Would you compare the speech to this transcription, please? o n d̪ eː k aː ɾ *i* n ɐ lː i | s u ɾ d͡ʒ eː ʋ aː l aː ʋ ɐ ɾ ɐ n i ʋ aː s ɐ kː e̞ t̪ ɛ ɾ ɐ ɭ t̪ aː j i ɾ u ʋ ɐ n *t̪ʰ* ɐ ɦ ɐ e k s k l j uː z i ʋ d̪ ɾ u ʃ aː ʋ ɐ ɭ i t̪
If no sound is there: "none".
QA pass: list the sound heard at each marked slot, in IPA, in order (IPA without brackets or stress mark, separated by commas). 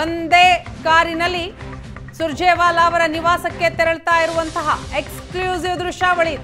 i, t̪